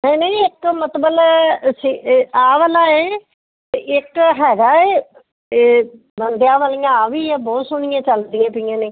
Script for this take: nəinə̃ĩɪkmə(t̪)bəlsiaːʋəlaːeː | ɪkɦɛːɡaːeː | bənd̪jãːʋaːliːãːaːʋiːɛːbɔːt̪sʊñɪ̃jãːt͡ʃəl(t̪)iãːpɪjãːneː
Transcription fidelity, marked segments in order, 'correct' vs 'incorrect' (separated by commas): correct, incorrect